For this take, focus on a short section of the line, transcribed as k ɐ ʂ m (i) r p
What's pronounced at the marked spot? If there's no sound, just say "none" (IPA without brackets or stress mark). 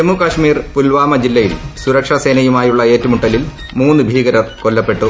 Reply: iː